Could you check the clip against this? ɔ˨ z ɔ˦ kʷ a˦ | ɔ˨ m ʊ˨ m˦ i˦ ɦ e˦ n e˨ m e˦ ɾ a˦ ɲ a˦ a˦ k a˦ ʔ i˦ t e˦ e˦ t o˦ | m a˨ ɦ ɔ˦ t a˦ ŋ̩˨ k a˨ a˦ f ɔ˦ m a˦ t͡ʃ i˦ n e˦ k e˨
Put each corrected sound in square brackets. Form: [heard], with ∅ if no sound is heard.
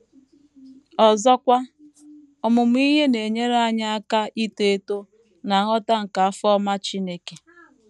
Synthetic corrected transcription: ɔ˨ z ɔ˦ kʷ a˦ | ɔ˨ m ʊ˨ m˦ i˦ ɦ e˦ n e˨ [ɲ] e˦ ɾ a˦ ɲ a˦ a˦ k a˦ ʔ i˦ t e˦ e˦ t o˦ | [n] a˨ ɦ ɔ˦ t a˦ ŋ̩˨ k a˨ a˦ f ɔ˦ m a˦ t͡ʃ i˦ n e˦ k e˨